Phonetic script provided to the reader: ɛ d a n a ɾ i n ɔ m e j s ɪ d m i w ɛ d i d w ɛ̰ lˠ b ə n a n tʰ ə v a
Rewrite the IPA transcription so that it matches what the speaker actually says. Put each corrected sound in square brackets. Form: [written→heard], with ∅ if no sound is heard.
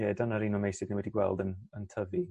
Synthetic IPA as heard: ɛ d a n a ɾ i n ɔ m e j s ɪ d [m→n] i w ɛ d i [d→ɡ] w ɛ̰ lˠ [b→d] ə n [a→ə] n tʰ ə v [a→i]